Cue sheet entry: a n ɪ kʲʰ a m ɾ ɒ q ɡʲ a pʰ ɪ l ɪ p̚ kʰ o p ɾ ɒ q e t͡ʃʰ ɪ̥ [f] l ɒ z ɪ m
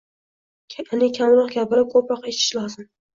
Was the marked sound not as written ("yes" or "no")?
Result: yes